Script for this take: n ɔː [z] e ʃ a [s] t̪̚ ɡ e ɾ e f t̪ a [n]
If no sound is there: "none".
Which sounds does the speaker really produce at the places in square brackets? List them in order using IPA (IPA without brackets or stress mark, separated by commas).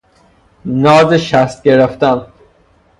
z, s, n